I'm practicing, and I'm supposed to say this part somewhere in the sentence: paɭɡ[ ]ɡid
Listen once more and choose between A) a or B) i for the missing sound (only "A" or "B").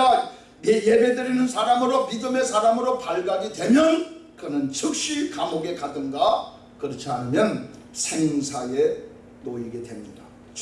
A